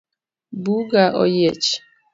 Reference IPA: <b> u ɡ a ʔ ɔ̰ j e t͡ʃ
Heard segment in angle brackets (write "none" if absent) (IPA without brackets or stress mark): b